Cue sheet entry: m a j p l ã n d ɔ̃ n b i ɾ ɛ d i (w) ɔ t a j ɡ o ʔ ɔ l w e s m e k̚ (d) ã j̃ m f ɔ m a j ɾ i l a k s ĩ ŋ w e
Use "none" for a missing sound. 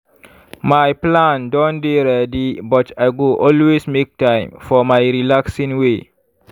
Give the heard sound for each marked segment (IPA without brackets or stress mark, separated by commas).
b, t